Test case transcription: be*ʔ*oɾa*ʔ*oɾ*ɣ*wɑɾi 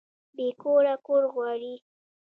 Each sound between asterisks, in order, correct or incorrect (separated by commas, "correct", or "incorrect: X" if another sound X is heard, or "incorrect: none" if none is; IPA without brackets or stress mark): incorrect: k, incorrect: k, correct